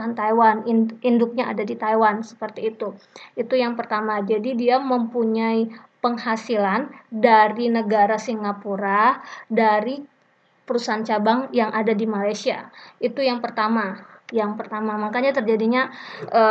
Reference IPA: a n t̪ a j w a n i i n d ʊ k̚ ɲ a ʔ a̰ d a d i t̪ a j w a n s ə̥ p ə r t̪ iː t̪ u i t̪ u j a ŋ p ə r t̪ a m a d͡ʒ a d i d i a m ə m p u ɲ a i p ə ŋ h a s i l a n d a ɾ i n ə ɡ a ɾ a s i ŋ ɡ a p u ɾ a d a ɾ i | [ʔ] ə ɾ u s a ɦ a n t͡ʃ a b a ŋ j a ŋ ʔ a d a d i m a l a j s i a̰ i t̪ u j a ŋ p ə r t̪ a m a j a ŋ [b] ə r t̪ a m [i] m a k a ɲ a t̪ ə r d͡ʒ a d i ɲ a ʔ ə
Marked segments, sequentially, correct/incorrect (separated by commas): incorrect, incorrect, incorrect